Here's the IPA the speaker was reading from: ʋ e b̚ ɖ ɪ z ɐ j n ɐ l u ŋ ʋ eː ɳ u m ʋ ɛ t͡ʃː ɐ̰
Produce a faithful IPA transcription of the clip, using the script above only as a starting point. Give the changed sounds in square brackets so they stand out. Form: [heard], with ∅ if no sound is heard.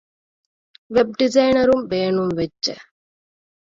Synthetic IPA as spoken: ʋ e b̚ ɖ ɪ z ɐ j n ɐ [ɾ] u [m] ʋ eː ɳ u m ʋ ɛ t͡ʃː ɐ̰